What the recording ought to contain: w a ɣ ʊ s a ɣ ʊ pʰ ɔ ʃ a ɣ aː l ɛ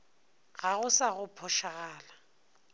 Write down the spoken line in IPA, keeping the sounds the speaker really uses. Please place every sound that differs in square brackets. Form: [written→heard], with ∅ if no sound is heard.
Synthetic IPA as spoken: [w→ɣ] a ɣ ʊ s a ɣ ʊ pʰ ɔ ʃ a ɣ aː l [ɛ→a]